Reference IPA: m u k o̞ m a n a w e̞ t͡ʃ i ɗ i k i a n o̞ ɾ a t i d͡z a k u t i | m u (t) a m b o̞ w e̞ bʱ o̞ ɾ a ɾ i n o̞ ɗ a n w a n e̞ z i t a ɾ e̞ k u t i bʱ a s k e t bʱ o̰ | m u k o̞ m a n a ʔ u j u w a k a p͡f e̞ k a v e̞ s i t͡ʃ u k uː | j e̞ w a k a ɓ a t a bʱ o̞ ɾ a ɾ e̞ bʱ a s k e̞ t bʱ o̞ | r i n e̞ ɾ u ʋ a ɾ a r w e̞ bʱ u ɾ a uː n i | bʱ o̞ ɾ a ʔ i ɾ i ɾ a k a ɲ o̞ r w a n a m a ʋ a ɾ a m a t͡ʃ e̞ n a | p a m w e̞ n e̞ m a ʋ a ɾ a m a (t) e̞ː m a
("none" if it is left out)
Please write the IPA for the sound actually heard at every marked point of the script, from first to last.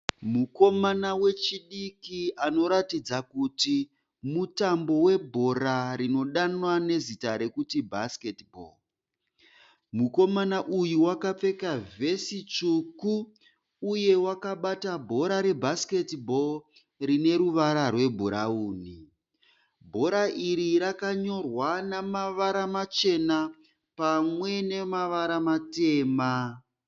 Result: t, t

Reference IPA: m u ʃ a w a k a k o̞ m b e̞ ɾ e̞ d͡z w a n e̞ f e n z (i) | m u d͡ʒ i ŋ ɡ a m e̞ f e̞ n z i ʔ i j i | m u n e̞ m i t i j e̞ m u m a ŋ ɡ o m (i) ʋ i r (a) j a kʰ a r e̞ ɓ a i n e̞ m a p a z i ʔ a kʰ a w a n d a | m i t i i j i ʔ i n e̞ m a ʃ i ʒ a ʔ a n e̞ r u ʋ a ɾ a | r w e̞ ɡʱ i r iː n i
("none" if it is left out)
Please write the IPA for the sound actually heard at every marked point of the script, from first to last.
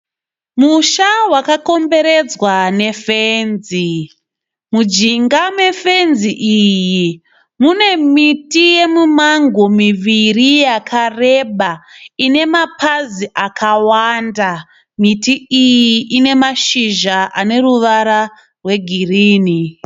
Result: i, i, i

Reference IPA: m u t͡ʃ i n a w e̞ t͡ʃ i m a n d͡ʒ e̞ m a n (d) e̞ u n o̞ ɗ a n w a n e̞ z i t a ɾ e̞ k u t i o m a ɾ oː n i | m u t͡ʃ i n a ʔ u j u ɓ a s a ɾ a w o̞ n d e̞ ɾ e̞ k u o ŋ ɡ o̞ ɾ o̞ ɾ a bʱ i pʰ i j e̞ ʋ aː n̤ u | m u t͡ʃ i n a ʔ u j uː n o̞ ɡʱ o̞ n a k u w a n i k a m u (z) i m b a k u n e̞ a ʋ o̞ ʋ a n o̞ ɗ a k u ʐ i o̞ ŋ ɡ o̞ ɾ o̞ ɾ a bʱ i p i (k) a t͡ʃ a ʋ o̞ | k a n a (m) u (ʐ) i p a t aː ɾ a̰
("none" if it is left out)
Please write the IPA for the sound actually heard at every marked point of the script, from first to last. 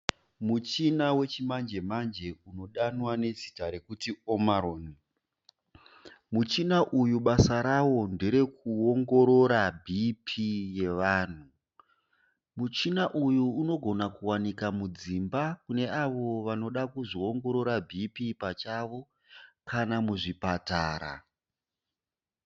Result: d͡ʒ, d͡z, p, m, ʐ

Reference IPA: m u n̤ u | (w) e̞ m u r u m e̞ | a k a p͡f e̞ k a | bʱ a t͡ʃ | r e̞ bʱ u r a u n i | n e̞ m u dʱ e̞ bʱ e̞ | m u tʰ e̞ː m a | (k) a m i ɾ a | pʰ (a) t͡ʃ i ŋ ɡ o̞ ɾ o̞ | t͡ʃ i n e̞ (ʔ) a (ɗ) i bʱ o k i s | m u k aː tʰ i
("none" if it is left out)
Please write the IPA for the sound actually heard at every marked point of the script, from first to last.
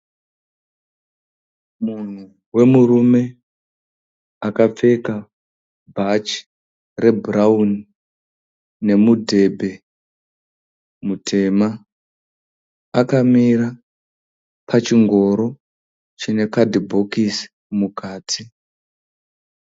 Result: w, k, a, k, d

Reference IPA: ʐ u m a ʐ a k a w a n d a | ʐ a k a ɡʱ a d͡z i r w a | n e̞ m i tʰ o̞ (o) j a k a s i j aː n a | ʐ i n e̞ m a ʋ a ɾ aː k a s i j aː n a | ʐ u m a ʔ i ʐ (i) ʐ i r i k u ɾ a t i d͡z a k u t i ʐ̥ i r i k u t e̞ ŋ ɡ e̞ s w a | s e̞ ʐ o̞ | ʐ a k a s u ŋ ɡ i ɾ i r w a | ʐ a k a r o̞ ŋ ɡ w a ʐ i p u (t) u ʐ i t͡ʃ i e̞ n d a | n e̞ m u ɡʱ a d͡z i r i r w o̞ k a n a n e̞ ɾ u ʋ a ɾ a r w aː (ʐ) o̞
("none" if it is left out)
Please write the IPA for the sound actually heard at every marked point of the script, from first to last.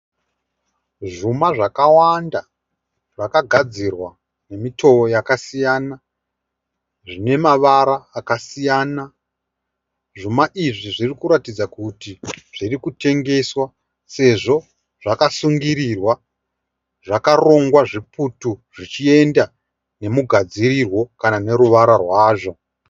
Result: o, i, t, ʐ

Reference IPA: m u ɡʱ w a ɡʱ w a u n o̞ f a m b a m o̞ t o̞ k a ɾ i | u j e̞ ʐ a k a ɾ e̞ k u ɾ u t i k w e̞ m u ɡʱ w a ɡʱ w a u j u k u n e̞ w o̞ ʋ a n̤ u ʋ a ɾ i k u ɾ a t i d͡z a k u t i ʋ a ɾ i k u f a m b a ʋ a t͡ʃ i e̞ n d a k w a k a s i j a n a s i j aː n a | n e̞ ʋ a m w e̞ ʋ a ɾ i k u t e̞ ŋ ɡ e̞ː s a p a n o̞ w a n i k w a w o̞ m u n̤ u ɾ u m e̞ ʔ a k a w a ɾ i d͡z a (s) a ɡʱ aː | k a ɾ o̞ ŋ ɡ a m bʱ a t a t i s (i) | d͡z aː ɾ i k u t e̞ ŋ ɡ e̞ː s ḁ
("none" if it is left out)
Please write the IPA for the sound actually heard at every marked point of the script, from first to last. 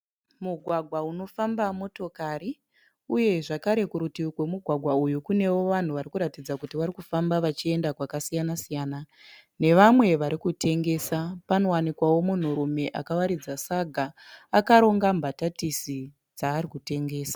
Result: s, i

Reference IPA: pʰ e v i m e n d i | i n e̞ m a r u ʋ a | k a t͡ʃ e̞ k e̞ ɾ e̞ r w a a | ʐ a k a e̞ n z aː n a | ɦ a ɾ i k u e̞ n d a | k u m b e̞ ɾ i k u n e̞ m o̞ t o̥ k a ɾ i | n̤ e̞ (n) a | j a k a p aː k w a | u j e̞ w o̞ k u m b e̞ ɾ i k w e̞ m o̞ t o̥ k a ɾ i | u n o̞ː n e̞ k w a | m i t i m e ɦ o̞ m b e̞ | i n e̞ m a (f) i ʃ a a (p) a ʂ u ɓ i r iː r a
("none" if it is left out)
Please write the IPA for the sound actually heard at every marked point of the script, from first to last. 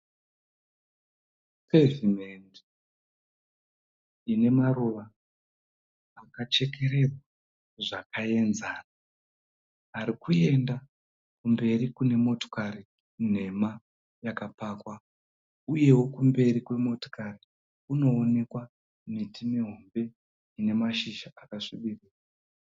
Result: m, ʃ, k

